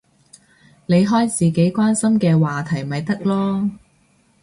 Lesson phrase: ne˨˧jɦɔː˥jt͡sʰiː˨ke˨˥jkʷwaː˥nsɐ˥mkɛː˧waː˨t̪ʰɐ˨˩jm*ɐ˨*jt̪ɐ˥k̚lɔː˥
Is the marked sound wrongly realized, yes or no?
no